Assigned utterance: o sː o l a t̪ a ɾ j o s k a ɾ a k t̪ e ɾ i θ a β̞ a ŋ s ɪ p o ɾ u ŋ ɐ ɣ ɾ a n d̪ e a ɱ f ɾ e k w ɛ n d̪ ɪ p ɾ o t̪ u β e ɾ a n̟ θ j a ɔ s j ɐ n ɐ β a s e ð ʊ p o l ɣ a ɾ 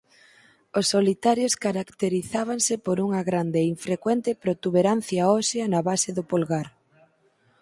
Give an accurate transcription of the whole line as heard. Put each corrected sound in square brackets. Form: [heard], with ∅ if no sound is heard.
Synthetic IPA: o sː o l [i] t̪ a ɾ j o s k a ɾ a k t̪ e ɾ i θ a β̞ a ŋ s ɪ p o ɾ u ŋ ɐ ɣ ɾ a n d̪ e [i] ɱ f ɾ e k w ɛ n [t̪] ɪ p ɾ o t̪ u β e ɾ a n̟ θ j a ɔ s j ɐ n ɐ β a s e ð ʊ p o l ɣ a ɾ